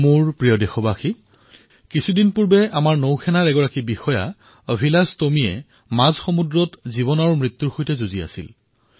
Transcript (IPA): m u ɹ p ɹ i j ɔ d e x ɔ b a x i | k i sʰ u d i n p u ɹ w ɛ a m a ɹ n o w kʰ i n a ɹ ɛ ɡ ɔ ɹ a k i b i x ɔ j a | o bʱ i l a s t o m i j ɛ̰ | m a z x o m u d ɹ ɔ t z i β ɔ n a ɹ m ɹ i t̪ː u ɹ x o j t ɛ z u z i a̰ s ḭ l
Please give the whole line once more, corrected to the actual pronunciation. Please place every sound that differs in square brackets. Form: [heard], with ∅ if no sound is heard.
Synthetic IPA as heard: m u ɹ p ɹ i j ɔ d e x ɔ b a x i | k i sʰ u d i n p u ɹ [b] ɛ a m a ɹ n o w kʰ [ɛ] n a ɹ ɛ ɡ ɔ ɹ a k i b i x ɔ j a | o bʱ i l a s t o m i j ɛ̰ | m a z x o m u d ɹ ɔ t z i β ɔ n a ɹ m ɹ i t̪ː u ɹ x o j t ɛ z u z i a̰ s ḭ l

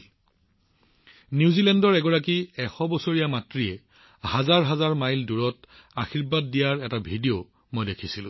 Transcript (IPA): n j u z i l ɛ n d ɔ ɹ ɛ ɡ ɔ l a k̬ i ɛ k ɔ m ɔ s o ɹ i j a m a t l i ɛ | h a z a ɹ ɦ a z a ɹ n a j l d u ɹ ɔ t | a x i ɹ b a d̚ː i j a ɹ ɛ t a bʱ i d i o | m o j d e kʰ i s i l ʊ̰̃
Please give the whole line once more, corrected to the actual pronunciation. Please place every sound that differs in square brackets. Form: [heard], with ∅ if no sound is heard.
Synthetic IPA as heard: n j u z i l ɛ n d ɔ ɹ ɛ ɡ ɔ [ɹ] a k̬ i ɛ [x] ɔ [b] ɔ s o ɹ i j a m a t [ɹ] i ɛ | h a z a ɹ ɦ a z a ɹ [m] a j l d u ɹ ɔ t | a x i ɹ b a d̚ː i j a ɹ ɛ t a bʱ i d i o | m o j d e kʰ i s i l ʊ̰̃

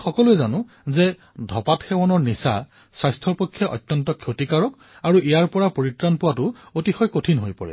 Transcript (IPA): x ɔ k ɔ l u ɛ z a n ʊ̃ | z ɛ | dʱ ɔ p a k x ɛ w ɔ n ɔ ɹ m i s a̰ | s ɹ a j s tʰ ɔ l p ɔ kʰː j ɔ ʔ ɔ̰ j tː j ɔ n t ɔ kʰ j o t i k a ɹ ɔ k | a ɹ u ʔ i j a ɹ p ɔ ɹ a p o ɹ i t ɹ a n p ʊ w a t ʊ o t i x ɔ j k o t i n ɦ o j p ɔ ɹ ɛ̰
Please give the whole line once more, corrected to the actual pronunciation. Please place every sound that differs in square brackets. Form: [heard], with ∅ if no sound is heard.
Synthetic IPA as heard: x ɔ k ɔ l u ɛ z a n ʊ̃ | z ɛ | dʱ ɔ p a [t] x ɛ w ɔ n ɔ ɹ [n] i s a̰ | s ɹ a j s tʰ ɔ [ɹ] p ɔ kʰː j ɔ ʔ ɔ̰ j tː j ɔ n t ɔ kʰ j o t i k a ɹ ɔ k | a ɹ u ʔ i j a ɹ p ɔ ɹ a p o ɹ i t ɹ a n p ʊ w a t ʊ o t i x ɔ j k o [tʰ] i n ɦ o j p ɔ ɹ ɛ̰

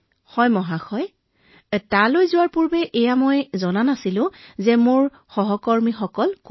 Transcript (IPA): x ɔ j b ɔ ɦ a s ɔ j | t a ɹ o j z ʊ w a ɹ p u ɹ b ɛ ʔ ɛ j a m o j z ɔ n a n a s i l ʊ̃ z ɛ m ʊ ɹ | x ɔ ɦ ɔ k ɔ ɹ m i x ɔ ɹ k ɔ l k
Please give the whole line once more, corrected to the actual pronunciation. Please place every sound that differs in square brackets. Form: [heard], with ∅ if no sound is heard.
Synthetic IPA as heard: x ɔ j [m] ɔ ɦ a [x] ɔ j | t a [l] o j z ʊ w a ɹ p u ɹ b ɛ ʔ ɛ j a m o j z ɔ n a n a s i l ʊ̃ z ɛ m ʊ ɹ | x ɔ ɦ ɔ k ɔ ɹ m i x ɔ [∅] k ɔ l k

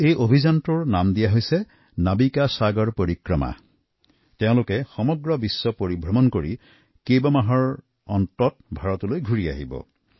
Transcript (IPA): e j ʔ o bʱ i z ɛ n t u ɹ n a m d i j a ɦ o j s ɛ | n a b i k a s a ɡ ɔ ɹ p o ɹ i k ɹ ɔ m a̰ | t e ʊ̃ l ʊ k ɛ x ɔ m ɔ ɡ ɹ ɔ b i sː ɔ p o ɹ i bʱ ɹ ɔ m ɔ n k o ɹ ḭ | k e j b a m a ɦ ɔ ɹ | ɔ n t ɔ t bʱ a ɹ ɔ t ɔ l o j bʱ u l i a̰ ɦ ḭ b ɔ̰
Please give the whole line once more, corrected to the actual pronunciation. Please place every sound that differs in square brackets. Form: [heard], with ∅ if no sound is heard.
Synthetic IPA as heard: e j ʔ o bʱ i z [a] n t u ɹ n a m d i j a ɦ o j s ɛ | n a b i k a s a ɡ ɔ ɹ p o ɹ i k ɹ ɔ m a̰ | t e ʊ̃ l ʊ k ɛ x ɔ m ɔ ɡ ɹ ɔ b i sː ɔ p o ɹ i bʱ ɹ ɔ m ɔ n k o ɹ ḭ | k e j b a m a ɦ ɔ ɹ | ɔ n t ɔ t bʱ a ɹ ɔ t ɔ l o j [ɡʱ] u [ɹ] i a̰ ɦ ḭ b ɔ̰

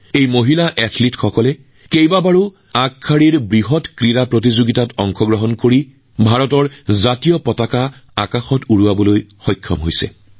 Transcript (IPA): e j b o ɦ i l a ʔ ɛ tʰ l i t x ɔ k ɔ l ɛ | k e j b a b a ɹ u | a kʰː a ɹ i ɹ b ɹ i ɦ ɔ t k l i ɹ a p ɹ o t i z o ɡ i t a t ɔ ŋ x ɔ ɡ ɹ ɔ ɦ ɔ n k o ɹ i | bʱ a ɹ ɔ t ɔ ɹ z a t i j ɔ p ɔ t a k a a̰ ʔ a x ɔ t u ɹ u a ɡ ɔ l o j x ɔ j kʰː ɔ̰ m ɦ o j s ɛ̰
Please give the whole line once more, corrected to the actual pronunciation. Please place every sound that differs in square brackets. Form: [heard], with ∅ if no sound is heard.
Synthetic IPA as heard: e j [m] o ɦ i l a ʔ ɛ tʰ l i t x ɔ k ɔ l ɛ | k e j b a b a ɹ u | a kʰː a ɹ i ɹ b ɹ i ɦ ɔ t k [ɹ] i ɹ a p ɹ o t i z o ɡ i t a t ɔ ŋ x ɔ ɡ ɹ ɔ ɦ ɔ n k o ɹ i | bʱ a ɹ ɔ t ɔ ɹ z a t i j ɔ p ɔ t a k a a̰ [k] a x ɔ t u ɹ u a [b] ɔ l o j x ɔ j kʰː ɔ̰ m ɦ o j s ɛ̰

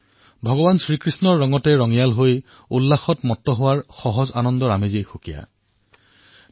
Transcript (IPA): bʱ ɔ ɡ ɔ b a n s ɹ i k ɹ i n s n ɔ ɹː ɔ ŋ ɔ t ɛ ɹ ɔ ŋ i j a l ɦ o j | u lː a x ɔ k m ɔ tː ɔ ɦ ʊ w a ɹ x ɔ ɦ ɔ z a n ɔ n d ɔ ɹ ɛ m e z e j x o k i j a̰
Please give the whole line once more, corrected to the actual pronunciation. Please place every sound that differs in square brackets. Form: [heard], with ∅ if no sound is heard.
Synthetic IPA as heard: bʱ ɔ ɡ ɔ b a n s ɹ i k ɹ i [∅] s n ɔ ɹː ɔ ŋ ɔ t ɛ ɹ ɔ ŋ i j a l ɦ o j | u lː a x ɔ [t] m ɔ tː ɔ ɦ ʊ w a ɹ x ɔ ɦ ɔ z a n ɔ n d ɔ ɹ [a] m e z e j x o k i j a̰

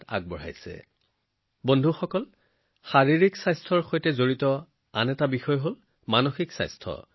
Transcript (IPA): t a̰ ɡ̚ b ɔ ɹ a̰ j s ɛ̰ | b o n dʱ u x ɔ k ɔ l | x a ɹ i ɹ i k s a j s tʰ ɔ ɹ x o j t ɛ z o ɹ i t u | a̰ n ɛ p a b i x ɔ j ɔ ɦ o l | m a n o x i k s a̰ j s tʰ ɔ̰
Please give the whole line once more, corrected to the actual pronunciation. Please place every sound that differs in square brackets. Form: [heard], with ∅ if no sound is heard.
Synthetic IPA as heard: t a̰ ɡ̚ b ɔ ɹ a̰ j s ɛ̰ | b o n dʱ u x ɔ k ɔ l | x a ɹ i ɹ i k s a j s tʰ ɔ ɹ x o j t ɛ z o ɹ i t [ɔ] | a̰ n ɛ [t] a b i x ɔ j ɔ ɦ o l | m a n o x i k s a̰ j s tʰ ɔ̰

